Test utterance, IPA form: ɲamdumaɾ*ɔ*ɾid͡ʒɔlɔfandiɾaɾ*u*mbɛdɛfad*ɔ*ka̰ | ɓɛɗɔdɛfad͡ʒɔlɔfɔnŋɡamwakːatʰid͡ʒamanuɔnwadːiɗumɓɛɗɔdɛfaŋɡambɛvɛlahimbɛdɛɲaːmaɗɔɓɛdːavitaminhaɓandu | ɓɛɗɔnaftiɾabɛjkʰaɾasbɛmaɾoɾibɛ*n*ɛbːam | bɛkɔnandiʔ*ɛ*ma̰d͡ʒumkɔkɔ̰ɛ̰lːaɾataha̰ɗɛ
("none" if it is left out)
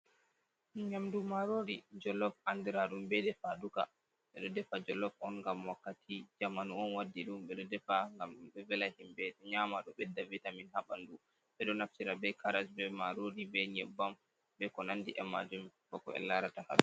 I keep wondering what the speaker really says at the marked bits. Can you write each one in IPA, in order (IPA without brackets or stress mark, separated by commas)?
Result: o, u, u, ɲ, ɛ